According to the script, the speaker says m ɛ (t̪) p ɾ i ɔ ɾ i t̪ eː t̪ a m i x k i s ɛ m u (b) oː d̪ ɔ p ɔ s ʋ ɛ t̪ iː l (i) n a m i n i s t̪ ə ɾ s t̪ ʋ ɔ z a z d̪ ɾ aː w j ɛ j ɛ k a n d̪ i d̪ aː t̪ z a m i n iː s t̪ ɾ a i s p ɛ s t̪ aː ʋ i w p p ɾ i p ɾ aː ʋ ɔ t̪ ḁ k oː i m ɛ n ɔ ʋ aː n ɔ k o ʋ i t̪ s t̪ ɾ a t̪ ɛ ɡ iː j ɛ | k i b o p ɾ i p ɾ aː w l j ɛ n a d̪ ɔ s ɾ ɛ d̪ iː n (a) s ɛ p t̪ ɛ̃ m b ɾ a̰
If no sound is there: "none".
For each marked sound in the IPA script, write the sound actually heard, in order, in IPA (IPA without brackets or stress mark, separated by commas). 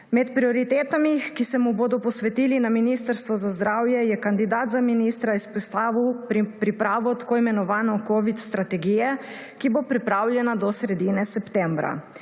t̪, b, i, ɛ